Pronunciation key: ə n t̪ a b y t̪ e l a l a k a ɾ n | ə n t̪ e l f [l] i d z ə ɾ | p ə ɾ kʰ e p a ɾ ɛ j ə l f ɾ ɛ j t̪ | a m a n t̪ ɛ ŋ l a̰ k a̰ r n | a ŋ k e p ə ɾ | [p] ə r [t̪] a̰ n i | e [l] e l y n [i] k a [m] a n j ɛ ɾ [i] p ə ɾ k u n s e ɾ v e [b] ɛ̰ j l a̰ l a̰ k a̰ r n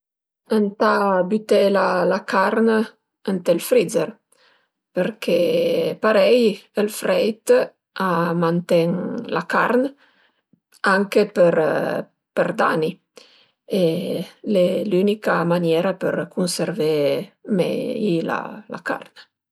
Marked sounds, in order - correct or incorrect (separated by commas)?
incorrect, correct, incorrect, correct, correct, correct, incorrect, incorrect